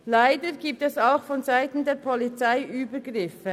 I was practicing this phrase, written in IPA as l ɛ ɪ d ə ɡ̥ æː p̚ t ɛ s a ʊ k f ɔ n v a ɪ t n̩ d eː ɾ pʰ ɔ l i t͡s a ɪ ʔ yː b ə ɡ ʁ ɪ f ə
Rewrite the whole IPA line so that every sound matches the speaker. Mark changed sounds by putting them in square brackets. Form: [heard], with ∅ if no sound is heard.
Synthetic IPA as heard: l [a] ɪ d ə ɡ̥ [iː] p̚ t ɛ s a ʊ [x] f ɔ n [z] a ɪ t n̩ d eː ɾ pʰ ɔ l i t͡s a ɪ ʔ yː b ə ɡ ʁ ɪ f ə